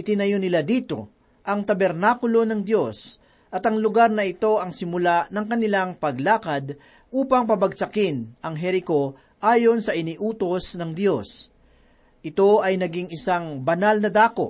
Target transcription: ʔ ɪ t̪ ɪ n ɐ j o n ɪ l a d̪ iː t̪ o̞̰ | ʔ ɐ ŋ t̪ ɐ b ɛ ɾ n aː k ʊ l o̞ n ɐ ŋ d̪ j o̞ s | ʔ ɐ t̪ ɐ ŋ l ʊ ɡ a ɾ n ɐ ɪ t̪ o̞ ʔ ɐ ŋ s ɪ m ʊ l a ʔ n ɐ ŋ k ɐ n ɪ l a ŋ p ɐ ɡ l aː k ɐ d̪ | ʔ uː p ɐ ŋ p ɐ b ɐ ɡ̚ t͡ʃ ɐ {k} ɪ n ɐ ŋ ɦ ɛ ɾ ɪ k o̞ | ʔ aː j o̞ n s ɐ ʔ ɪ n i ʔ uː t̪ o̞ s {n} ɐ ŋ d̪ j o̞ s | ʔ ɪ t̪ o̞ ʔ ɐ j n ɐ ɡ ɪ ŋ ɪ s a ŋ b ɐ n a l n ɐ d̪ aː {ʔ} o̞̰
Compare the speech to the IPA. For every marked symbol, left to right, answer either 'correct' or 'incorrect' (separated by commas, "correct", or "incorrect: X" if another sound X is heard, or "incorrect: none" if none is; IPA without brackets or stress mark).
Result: correct, correct, incorrect: k